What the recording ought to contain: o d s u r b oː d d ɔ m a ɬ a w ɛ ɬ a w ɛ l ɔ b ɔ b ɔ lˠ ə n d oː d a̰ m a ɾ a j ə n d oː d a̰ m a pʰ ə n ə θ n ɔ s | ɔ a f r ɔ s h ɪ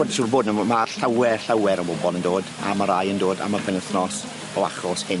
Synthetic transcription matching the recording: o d s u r b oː d n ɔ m a ɬ a w ɛ ɬ a w ɛ ɾ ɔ b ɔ b ɔ lˠ ə n d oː d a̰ m a ɾ a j ə n d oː d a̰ m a pʰ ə n ə θ n ɔ s | ɔ a χ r ɔ s h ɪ